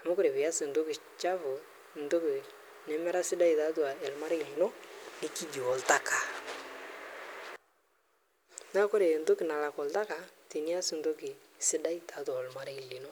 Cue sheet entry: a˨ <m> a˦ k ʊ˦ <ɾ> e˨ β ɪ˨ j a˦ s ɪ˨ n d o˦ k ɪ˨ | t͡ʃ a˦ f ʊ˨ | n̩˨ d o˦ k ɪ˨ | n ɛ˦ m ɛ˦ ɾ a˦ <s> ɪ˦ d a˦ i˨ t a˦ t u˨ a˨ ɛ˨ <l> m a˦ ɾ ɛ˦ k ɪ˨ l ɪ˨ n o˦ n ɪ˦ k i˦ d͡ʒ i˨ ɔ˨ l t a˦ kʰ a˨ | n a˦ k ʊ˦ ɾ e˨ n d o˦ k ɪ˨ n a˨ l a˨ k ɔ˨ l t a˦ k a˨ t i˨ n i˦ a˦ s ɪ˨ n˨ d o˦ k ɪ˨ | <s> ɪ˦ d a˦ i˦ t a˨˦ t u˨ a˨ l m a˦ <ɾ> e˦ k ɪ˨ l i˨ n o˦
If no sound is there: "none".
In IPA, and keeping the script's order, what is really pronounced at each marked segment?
m, ɾ, s, l, s, ɾ

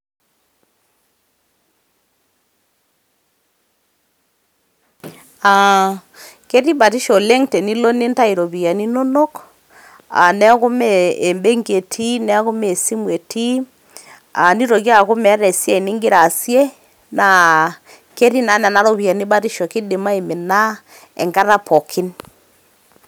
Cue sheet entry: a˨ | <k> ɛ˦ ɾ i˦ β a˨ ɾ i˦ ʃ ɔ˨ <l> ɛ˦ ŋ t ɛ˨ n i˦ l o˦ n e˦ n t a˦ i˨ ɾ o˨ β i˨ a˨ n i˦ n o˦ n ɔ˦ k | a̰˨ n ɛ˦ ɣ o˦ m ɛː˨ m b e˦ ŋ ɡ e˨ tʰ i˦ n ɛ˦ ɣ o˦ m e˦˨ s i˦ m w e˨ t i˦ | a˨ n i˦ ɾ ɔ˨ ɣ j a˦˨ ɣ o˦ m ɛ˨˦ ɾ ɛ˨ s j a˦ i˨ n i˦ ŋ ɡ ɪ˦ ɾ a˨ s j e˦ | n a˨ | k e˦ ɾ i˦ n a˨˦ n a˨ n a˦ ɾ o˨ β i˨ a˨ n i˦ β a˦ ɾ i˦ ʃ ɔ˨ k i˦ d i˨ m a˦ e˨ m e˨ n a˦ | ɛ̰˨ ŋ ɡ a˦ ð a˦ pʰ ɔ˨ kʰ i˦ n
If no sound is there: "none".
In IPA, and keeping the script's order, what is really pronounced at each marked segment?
k, l

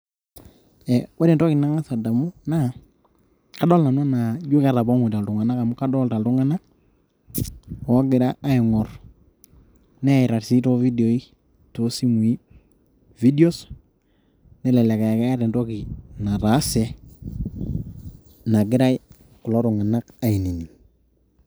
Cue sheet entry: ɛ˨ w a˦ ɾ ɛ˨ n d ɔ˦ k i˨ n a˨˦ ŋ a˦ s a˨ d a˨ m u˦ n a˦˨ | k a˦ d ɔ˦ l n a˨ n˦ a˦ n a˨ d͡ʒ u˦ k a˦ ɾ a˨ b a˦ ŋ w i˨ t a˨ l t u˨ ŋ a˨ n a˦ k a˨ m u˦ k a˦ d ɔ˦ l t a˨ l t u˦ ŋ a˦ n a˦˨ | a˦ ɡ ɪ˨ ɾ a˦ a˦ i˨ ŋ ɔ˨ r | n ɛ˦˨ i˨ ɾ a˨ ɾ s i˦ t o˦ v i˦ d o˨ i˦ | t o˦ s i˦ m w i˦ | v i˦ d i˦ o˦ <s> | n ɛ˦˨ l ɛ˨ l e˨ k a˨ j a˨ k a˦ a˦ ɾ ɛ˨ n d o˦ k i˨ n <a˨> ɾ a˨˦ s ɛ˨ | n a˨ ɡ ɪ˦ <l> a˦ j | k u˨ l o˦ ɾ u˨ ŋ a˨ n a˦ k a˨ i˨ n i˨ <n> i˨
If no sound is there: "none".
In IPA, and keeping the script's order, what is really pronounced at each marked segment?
s, a˨, ɾ, n

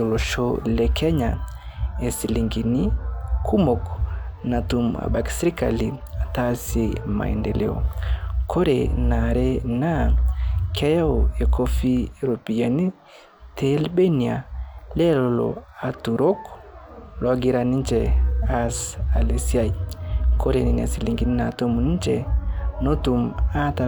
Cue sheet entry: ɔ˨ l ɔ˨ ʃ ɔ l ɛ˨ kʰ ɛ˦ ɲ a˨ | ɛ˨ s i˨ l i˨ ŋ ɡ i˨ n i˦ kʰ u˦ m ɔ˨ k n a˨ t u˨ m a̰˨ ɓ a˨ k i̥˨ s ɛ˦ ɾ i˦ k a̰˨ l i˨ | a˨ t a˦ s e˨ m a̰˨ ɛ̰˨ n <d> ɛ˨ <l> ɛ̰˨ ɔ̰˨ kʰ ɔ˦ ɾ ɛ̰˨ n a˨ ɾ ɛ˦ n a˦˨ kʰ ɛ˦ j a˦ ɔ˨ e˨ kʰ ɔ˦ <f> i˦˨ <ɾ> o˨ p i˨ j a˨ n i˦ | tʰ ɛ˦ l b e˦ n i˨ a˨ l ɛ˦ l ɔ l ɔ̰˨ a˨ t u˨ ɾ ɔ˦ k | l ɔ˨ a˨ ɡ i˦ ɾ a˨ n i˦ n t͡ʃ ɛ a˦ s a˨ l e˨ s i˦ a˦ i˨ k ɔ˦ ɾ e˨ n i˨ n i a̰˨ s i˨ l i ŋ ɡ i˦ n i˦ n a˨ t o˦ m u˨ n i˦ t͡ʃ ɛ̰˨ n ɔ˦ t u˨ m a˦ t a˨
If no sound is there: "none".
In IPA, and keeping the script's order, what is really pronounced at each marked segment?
d, l, f, ɾ

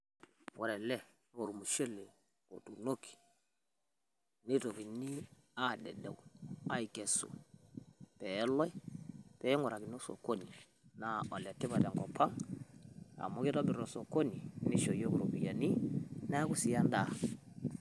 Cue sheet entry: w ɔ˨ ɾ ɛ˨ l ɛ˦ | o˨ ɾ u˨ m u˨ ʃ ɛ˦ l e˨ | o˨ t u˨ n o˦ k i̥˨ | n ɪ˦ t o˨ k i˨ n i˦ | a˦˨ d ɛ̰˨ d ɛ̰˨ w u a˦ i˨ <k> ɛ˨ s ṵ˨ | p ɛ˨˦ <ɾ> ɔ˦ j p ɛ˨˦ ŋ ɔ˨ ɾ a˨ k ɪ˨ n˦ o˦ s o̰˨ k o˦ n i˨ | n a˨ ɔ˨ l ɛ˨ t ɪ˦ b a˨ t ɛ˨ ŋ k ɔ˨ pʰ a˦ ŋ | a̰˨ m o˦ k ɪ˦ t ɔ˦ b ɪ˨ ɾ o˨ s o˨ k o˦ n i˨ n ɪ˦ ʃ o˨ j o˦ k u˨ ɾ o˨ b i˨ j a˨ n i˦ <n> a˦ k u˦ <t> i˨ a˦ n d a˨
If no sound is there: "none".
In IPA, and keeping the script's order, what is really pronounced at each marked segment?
k, l, n, s

